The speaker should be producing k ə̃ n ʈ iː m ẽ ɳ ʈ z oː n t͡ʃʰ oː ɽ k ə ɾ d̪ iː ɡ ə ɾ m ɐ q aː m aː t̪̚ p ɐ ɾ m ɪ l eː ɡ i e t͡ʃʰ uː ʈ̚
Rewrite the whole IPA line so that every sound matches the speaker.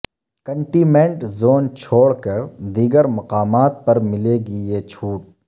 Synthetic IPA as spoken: k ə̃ ɳ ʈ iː m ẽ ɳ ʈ z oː n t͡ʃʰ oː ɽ k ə ɾ d̪ iː ɡ ə ɾ m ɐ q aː m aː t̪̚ p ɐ ɾ m ɪ l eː ɡ i e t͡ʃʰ uː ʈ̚